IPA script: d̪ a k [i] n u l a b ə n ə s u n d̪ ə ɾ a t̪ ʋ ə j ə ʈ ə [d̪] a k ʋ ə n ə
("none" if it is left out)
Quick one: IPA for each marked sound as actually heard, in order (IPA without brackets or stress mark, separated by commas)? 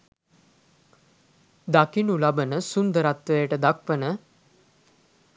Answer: i, d̪